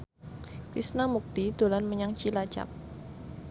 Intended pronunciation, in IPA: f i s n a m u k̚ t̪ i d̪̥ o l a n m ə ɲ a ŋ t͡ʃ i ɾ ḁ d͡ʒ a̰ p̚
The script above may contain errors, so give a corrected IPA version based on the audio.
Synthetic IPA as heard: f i s n a m u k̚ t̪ i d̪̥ o l a n m ə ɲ a ŋ t͡ʃ i l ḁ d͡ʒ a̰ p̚